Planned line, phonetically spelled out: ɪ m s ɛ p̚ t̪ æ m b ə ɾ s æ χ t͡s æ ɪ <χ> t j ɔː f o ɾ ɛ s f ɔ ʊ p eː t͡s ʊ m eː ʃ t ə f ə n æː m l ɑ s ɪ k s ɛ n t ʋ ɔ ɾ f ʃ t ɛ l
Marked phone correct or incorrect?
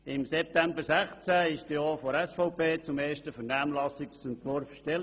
incorrect